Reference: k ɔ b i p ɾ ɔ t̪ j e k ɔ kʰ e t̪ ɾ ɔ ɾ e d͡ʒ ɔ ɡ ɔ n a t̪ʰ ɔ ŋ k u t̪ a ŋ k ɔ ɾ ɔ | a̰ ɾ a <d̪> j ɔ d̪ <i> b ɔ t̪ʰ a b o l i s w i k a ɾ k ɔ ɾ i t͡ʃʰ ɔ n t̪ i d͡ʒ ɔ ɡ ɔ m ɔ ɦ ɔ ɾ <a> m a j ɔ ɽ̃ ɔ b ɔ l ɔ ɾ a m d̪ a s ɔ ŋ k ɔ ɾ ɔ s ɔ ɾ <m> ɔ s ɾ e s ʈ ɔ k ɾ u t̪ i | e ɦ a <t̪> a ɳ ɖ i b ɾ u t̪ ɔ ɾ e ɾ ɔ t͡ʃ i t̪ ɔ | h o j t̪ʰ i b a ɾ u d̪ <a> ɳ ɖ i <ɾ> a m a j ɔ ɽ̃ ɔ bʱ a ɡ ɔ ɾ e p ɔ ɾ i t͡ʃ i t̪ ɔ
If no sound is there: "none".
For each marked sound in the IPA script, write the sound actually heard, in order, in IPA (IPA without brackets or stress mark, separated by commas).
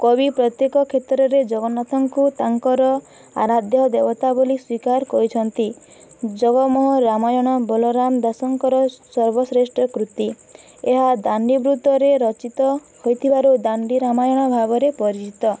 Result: d̪, e, a, b, d̪, a, ɾ